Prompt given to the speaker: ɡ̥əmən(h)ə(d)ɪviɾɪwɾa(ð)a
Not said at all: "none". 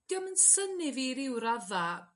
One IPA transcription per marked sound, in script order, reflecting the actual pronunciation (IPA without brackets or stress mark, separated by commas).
s, n, ð